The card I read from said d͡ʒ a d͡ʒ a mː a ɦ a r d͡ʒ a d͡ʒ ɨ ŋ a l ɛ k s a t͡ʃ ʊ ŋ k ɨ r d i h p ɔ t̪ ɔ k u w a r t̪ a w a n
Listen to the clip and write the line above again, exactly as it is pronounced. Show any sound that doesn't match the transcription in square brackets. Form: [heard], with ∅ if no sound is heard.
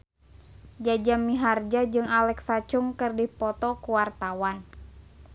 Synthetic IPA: d͡ʒ a d͡ʒ a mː [i] ɦ a r d͡ʒ a d͡ʒ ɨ ŋ a l ɛ k s a t͡ʃ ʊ ŋ k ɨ r d i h p ɔ t̪ ɔ k u w a r t̪ a w a n